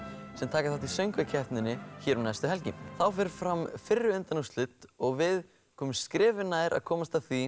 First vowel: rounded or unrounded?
unrounded